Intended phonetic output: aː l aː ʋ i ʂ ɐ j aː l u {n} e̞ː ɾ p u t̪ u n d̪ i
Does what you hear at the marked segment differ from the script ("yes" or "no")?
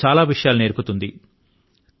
no